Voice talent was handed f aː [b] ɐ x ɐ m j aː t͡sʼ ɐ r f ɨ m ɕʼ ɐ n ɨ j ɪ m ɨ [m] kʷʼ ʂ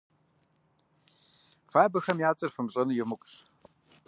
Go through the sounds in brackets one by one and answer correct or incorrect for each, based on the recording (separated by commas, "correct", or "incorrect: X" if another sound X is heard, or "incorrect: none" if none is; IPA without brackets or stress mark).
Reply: correct, incorrect: none